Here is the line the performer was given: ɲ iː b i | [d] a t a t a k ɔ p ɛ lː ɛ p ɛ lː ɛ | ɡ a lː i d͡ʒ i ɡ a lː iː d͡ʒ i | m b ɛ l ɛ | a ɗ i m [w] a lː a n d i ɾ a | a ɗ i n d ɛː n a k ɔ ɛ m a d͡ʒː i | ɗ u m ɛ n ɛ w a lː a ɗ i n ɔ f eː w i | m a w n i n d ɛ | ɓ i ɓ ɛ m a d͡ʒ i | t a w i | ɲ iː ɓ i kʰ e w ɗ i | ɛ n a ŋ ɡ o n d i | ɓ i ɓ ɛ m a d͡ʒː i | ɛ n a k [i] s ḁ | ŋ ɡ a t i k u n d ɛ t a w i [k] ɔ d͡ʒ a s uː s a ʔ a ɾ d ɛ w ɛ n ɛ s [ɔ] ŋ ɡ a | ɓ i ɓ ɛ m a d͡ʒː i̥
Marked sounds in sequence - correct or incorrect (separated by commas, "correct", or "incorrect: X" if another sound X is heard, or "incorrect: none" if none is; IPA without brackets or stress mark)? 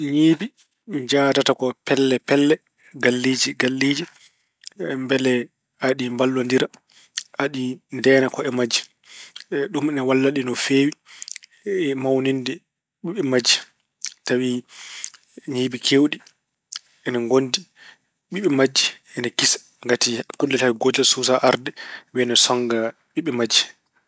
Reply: incorrect: d͡ʒ, incorrect: b, correct, incorrect: ɡ, correct